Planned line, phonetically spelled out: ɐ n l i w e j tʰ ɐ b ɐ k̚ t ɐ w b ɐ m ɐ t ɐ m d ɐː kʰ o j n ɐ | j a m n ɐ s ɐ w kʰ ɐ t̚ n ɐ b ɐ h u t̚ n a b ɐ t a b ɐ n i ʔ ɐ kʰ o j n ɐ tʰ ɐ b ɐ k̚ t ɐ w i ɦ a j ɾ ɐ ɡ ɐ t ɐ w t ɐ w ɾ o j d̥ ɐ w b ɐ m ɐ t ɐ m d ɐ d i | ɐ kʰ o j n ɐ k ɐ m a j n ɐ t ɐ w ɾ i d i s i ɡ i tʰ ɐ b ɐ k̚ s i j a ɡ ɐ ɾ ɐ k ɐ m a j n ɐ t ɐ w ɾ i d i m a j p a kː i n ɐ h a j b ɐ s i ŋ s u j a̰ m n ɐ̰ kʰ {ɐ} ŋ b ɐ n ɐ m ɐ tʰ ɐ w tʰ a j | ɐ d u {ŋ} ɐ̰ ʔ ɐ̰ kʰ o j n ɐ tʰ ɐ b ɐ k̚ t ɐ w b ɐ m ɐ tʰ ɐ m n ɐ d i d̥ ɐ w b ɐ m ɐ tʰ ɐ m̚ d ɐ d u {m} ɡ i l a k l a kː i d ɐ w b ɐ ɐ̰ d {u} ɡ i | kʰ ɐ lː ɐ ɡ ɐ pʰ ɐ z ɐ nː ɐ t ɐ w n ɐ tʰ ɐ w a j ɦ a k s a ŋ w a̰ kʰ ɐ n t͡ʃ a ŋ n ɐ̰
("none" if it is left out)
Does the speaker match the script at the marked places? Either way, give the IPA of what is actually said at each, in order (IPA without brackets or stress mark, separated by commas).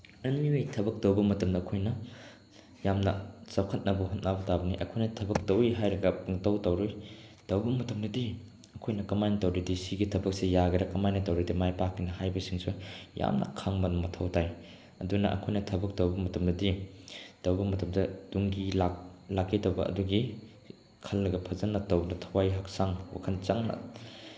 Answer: a, n, ŋ, u